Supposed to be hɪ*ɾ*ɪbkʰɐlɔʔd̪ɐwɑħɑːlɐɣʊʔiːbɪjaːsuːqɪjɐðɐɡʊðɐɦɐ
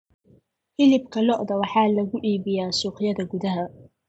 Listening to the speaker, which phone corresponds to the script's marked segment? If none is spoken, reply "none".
l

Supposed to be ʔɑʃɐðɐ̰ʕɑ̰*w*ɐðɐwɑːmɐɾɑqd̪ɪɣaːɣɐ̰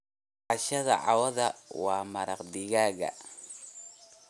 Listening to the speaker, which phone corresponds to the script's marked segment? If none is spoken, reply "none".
w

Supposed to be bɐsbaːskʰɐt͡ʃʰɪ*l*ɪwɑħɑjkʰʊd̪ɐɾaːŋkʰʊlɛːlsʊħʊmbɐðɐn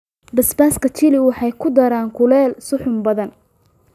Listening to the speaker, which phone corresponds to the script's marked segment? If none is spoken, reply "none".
l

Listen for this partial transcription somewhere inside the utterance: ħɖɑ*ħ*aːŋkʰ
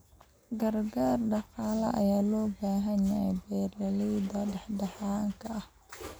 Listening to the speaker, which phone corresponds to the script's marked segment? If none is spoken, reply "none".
ħ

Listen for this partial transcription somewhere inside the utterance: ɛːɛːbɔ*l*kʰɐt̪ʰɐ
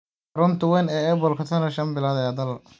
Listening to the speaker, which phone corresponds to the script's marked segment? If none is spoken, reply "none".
l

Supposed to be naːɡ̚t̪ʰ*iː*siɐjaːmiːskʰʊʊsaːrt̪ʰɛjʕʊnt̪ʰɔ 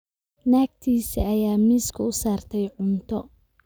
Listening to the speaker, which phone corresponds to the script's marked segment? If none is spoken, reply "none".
iː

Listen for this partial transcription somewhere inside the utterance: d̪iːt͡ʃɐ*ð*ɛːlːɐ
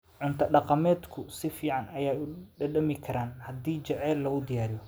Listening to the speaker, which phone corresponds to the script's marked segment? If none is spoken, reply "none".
ʕ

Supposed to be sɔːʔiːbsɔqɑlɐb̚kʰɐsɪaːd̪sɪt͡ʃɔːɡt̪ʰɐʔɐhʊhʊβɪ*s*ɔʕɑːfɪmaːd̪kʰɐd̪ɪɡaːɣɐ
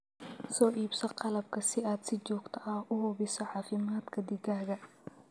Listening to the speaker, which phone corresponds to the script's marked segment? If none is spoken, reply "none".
s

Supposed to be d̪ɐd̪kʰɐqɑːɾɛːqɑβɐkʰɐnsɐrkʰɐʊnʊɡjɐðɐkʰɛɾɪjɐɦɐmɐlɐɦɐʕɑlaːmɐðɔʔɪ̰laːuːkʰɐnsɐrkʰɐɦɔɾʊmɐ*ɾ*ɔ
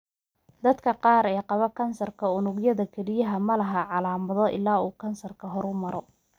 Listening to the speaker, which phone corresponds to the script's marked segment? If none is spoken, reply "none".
ɾ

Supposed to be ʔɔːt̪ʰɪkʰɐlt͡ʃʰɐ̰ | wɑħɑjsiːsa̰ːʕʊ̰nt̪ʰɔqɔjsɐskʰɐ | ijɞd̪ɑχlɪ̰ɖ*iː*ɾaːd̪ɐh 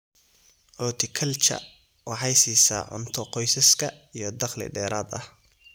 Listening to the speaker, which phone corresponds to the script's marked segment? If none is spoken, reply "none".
ɛː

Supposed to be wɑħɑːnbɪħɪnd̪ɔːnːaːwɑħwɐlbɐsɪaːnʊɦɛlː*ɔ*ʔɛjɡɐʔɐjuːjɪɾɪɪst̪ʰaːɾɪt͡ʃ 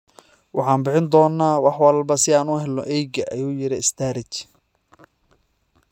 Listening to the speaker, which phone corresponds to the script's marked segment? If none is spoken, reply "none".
ɔ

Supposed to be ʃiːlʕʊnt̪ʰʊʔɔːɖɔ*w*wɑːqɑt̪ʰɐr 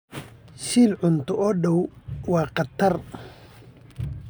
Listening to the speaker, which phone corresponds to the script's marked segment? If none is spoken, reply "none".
w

